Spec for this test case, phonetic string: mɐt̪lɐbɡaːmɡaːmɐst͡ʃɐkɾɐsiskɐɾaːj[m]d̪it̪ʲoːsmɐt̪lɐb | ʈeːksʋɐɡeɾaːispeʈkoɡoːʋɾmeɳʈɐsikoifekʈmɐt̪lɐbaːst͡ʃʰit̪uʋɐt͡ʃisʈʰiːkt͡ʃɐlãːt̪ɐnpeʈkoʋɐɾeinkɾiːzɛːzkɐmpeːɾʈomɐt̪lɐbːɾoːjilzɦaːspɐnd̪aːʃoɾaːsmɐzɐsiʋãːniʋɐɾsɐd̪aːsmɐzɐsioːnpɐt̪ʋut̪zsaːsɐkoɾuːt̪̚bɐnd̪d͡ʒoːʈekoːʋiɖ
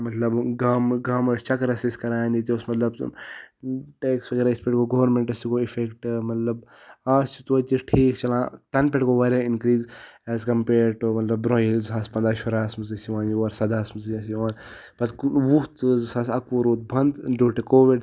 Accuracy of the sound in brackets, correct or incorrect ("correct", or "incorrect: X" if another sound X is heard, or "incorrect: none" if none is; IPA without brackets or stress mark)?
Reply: incorrect: n